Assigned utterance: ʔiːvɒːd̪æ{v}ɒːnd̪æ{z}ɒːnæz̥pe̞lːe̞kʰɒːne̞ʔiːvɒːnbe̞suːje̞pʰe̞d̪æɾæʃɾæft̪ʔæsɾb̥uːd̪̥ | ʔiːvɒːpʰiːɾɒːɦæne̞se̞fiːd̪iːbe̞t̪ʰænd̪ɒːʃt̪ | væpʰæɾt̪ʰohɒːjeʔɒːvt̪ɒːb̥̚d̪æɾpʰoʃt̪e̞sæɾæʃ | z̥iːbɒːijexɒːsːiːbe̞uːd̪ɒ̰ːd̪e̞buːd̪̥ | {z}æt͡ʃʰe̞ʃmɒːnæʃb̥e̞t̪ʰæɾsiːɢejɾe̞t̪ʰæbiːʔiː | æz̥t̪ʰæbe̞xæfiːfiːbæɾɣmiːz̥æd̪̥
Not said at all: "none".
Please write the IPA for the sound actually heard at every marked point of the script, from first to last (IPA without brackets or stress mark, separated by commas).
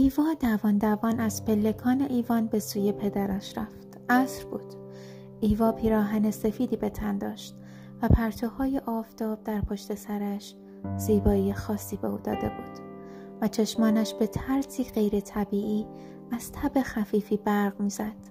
v, v, v